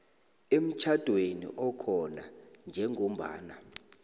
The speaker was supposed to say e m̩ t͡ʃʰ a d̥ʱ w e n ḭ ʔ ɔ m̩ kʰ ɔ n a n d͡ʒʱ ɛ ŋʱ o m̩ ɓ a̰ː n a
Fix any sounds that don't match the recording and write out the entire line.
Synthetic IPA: e m̩ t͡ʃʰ a d̥ʱ w e n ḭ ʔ ɔ kʰ ɔ n a n d͡ʒʱ ɛ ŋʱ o m̩ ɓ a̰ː n a